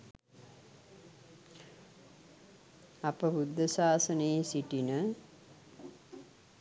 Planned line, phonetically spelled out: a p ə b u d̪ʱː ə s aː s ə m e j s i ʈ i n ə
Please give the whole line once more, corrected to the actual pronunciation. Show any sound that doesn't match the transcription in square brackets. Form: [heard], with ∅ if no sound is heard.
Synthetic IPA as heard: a p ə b u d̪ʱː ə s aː s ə [n] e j s i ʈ i n ə